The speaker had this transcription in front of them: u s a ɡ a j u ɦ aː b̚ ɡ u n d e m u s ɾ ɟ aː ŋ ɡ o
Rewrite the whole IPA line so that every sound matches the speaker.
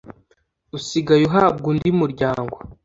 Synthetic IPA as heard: u s i ɡ a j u ɦ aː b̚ ɡ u n d i m u ɾ ɟ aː ŋ ɡ o

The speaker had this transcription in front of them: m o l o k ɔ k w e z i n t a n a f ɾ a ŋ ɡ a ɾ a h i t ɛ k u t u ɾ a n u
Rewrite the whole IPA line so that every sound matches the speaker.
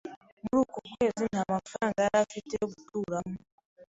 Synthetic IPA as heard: m u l u k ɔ k w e z i n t a m a f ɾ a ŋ ɡ a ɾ a f i t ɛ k u t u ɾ a m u

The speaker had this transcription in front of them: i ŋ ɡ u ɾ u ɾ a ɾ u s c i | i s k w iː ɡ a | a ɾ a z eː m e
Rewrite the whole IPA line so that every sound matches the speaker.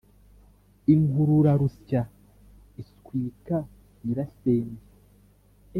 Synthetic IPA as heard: i ŋ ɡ u ɾ u ɾ a ɾ u s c a | i s k w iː k a | i ɾ a s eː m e

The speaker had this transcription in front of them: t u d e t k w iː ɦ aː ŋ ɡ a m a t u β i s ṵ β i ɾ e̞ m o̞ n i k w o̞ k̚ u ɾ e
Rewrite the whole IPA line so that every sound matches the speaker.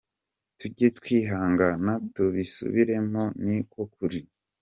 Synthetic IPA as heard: t u ɟ e t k w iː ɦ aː ŋ ɡ a n a t u β i s ṵ β i ɾ e̞ m o̞ n i k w o̞ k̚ u ɾ i

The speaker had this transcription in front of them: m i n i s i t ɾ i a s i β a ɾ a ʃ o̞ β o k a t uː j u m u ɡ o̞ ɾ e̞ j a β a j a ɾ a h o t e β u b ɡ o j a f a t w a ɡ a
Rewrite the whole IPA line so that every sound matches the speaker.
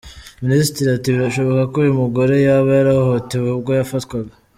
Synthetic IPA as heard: m i n i s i t ɾ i a t i β i ɾ a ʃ o̞ β o k a k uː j u m u ɡ o̞ ɾ e̞ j a β a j a ɾ a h o t e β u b ɡ o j a f a t w a ɡ a

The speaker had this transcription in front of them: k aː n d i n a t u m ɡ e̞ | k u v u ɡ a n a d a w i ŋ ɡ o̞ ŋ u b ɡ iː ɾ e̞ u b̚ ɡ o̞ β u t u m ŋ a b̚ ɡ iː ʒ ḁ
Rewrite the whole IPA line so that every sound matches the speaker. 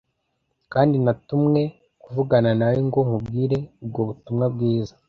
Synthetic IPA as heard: k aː n d i n a t u m ŋ e̞ | k u v u ɡ a n a n a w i ŋ ɡ o̞ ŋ u b ɡ iː ɾ e̞ u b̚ ɡ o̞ β u t u m ŋ a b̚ ɡ iː z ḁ

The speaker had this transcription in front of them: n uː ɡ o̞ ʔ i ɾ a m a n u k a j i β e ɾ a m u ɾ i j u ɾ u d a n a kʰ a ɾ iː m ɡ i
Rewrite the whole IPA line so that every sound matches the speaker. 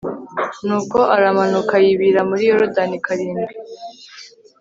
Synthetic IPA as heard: n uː k o̞ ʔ a ɾ a m a n u k a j i β i ɾ a m u ɾ i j o ɾ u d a n i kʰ a ɾ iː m ɡ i

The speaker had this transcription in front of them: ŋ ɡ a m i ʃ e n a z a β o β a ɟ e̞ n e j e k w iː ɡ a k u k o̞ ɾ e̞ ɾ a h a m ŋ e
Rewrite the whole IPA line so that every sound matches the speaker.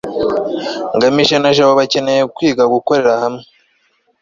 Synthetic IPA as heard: ŋ ɡ a m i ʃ e n a ʒ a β o β a c e̞ n e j e k w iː ɡ a ɡ u k o̞ ɾ e̞ ɾ a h a m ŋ e

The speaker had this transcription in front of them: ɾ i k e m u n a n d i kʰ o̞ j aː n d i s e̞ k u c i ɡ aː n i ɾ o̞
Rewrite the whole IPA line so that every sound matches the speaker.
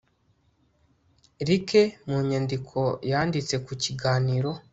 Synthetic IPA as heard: ɾ i k e m u ɲ a n d i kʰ o̞ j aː n d i t͡s e̞ k u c i ɡ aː n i ɾ o̞

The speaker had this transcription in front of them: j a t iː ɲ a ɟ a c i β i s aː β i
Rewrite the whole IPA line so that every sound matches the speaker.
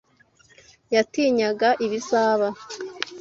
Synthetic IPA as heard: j a t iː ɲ a ɡ a ʔ i β i s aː β a

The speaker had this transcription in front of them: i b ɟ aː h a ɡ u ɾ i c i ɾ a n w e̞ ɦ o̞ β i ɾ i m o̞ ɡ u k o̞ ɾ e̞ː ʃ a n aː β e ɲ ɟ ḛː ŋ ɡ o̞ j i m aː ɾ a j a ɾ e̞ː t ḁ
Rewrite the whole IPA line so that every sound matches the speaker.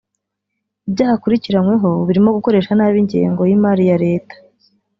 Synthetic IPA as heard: i b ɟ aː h a k u ɾ i c i ɾ a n w e̞ ɦ o̞ β i ɾ i m o̞ ɡ u k o̞ ɾ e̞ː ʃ a n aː β i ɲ ɟ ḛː ŋ ɡ o̞ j i m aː ɾ i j a ɾ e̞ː t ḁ

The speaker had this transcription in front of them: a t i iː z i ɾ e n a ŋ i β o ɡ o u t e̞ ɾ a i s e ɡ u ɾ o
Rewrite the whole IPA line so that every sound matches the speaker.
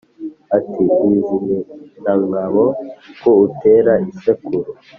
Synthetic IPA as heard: a t i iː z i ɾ e n a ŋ a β o k o u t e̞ ɾ a i s e k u ɾ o

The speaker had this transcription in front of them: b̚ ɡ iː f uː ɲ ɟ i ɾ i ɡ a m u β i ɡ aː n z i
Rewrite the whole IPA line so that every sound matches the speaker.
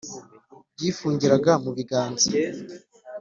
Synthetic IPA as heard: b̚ ɟ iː f uː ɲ ɟ i ɾ a ɡ a m u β i ɡ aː n z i

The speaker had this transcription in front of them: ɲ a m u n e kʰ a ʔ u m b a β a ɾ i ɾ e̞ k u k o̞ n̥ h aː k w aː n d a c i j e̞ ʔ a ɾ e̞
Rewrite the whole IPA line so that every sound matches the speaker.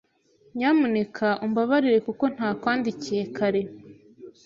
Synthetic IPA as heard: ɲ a m u n e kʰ a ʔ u m b a β a ɾ i ɾ e̞ k u k o̞ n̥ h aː k w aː n d i c i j e̞ k a ɾ e̞

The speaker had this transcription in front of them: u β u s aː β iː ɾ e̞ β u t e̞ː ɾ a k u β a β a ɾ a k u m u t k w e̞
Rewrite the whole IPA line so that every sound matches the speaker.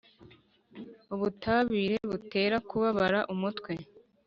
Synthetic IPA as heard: u β u t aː β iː ɾ e̞ β u t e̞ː ɾ a k u β a β a ɾ a ʔ u m u t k w e̞

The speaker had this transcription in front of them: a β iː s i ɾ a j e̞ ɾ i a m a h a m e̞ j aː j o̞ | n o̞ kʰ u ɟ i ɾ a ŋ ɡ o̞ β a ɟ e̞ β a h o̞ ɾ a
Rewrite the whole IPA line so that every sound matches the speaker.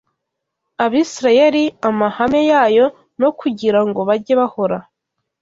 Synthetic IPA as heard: a β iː s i ɾ a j e̞ ɾ i a m a h a m e̞ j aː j o̞ | n o̞ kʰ u ɟ i ɾ a ŋ ɡ o̞ β a ɟ e̞ β a h o̞ ɾ a

